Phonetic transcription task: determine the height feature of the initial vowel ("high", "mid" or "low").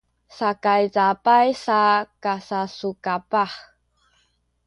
low